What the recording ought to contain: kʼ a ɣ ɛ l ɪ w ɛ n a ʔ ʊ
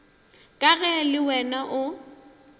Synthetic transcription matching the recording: kʼ a ɣ ɛ l ɪ w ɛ n a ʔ ʊ